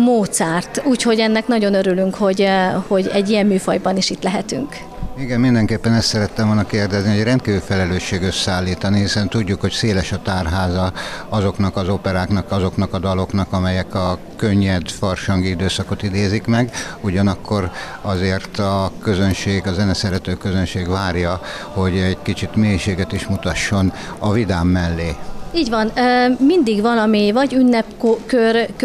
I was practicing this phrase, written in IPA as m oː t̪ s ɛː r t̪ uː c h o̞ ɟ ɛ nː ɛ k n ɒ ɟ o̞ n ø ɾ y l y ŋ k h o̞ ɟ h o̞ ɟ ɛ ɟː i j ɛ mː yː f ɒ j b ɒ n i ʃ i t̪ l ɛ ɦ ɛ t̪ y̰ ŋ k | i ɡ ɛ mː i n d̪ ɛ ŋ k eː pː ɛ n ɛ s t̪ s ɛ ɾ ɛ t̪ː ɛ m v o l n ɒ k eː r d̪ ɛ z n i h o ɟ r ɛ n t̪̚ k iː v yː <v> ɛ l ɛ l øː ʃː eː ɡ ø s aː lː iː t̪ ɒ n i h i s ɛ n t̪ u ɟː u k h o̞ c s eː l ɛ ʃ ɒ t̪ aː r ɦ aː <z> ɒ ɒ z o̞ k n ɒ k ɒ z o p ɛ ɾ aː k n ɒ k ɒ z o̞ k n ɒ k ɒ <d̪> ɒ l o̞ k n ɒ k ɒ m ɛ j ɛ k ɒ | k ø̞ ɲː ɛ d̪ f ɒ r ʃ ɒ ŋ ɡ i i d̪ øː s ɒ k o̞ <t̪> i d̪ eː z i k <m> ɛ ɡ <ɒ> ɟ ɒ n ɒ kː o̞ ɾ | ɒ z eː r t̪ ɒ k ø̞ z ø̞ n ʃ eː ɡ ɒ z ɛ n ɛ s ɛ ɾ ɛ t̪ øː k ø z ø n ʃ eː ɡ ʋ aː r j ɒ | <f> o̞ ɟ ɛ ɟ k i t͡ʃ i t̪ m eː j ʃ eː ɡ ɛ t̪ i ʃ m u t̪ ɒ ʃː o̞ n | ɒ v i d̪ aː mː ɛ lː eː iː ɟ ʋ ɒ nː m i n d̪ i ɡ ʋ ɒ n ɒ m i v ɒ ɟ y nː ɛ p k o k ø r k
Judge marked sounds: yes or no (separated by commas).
no, yes, yes, yes, yes, no, no